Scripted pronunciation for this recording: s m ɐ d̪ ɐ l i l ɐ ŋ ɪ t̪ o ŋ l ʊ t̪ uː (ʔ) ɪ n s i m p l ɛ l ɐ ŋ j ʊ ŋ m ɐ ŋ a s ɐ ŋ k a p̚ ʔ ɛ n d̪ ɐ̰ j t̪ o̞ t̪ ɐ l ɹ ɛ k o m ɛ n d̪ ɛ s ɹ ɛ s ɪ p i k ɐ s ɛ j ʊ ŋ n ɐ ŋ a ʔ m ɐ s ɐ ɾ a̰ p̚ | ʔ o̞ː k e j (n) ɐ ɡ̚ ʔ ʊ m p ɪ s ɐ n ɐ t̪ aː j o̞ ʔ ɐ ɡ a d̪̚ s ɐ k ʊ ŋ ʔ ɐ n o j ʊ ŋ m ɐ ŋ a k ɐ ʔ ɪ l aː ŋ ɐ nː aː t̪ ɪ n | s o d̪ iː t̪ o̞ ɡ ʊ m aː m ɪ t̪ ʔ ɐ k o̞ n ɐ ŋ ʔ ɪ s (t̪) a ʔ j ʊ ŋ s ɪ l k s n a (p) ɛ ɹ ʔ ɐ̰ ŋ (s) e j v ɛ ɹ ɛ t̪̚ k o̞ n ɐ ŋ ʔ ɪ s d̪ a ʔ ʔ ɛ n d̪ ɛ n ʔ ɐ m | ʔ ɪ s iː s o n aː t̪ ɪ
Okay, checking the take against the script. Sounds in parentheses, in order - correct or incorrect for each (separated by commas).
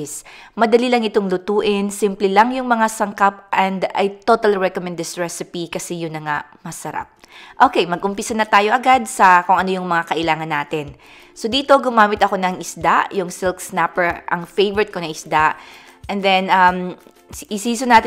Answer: correct, incorrect, incorrect, correct, incorrect